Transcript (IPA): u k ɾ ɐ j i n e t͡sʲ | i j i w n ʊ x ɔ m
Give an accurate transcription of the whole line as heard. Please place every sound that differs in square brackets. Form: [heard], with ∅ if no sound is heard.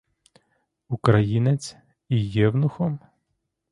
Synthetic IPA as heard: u k ɾ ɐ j i n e t͡sʲ | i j [ɛ] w n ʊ x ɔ m